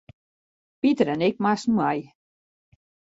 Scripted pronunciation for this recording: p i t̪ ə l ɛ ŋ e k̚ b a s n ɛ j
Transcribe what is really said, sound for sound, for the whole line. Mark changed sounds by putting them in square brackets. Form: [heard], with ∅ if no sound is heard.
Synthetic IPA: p i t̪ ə [ɾ] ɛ [n] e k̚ [m] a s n [a] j